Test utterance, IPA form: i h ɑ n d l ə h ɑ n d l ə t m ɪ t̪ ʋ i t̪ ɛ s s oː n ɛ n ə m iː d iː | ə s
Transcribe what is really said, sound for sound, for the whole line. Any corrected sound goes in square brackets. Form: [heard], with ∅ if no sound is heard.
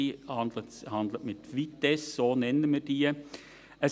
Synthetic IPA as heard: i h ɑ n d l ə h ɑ n d l ə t m ɪ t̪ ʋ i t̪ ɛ s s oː n ɛ n ə m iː d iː | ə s